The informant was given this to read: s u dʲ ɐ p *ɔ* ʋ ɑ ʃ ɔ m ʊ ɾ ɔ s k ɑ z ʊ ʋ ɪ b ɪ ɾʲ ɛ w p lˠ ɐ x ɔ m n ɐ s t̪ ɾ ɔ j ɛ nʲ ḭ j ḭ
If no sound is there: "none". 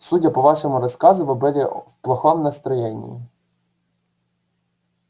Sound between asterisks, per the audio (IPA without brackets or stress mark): ɔ